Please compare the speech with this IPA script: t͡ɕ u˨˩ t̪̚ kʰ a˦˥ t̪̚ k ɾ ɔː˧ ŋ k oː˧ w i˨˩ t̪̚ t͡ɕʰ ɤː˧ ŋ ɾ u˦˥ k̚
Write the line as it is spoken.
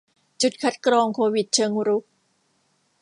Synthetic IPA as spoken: t͡ɕ u˨˩ t̪̚ kʰ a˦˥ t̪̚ k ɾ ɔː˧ ŋ kʰ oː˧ w i˨˩ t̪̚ t͡ɕʰ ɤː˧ ŋ ɾ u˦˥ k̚